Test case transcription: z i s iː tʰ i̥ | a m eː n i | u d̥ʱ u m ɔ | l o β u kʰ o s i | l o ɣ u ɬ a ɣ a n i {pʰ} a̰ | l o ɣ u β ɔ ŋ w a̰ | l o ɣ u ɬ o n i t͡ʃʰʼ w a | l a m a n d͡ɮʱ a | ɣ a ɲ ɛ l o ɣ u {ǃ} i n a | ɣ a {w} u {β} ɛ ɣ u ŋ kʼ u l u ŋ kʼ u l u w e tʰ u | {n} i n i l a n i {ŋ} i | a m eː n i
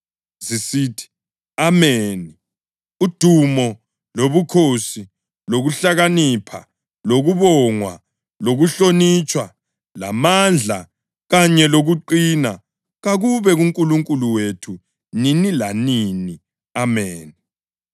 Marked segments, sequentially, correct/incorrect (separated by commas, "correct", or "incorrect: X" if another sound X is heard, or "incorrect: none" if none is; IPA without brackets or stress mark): correct, correct, incorrect: ɣ, correct, correct, incorrect: n